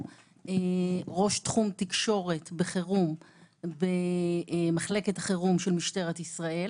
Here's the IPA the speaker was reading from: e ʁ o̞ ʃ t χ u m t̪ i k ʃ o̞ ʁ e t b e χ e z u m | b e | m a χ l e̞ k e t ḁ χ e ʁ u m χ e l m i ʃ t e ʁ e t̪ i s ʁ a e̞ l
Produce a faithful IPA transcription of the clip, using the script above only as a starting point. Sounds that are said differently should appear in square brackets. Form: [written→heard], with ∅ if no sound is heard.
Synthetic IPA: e ʁ o̞ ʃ t χ u m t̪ i k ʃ o̞ ʁ e t b e χ e [z→ʁ] u m | b e | m a χ l e̞ k e t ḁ χ e ʁ u m [χ→ʃ] e l m i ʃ t e ʁ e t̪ i s ʁ a e̞ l